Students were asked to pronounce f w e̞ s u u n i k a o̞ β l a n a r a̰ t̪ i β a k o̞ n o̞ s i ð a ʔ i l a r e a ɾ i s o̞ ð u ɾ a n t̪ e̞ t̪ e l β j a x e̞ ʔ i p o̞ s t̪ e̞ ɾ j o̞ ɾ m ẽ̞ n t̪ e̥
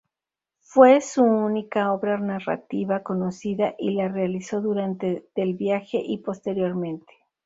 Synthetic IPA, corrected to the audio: f w e̞ s u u n i k a o̞ β ɾ a n a r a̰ t̪ i β a k o̞ n o̞ s i ð a ʔ i l a r e a l i s o̞ ð u ɾ a n t̪ e̞ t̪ e l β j a x e̞ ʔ i p o̞ s t̪ e̞ ɾ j o̞ ɾ m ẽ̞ n t̪ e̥